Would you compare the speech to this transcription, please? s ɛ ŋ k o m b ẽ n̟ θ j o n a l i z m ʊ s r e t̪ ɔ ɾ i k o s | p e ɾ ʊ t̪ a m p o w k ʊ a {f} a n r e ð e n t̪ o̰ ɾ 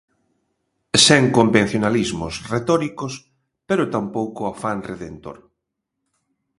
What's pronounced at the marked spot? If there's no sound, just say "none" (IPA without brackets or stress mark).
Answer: f